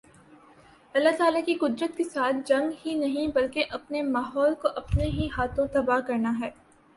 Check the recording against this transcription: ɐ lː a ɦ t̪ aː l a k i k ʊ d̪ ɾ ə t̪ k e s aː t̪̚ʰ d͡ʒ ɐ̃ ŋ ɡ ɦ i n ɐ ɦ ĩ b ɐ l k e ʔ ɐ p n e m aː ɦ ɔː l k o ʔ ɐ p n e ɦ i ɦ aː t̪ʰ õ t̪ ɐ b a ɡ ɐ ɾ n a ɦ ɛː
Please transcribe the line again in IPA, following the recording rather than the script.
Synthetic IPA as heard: ɐ lː a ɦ t̪ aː l a k i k ʊ d̪ ɾ ə t̪ k e s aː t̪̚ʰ d͡ʒ ɐ̃ ŋ ɡ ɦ i n ɐ ɦ ĩ b ɐ l k e ʔ ɐ p n e m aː ɦ ɔː l k o ʔ ɐ p n e ɦ i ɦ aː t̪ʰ õ t̪ ɐ b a k ɐ ɾ n a ɦ ɛː